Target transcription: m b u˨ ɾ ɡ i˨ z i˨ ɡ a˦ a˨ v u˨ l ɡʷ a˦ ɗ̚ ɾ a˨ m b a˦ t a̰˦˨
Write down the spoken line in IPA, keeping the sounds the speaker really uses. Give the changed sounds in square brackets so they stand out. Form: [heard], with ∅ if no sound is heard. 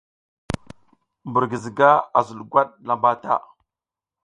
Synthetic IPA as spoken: m b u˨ ɾ ɡ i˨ z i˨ ɡ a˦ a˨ [z] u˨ l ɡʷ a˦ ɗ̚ [l] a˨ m b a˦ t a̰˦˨